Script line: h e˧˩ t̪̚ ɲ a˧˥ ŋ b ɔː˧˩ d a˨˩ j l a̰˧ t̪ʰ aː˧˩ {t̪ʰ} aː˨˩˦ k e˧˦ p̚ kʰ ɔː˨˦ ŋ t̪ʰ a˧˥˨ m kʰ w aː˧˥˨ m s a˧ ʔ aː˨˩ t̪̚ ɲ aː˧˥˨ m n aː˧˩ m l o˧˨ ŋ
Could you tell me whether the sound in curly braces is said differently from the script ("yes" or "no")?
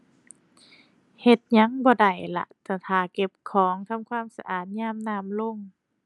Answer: no